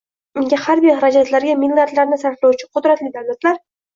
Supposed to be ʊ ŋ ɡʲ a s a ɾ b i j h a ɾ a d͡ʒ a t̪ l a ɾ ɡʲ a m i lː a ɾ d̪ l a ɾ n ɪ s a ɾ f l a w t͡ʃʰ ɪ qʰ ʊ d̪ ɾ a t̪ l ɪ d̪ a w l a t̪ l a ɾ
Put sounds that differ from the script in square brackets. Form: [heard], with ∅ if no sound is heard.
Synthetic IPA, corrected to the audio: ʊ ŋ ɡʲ a [h] a ɾ b i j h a ɾ a d͡ʒ a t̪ l a ɾ ɡʲ a m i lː a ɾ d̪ l a ɾ n ɪ s a ɾ f l a w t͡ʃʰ ɪ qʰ ʊ d̪ ɾ a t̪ l ɪ d̪ a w l a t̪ l a ɾ